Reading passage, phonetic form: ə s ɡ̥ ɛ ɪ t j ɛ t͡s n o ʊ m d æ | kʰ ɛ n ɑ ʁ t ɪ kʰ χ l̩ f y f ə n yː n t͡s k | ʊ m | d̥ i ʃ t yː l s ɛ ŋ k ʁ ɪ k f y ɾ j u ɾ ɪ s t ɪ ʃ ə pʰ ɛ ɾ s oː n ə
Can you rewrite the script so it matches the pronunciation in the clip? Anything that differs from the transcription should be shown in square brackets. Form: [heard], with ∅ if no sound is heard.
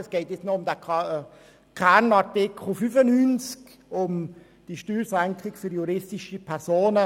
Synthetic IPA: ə s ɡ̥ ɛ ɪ t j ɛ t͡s n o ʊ m d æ | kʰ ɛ n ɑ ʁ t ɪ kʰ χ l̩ f y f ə n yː n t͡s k | ʊ m | d̥ i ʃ t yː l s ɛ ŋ k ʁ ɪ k f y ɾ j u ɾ ɪ s t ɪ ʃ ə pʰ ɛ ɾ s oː n ə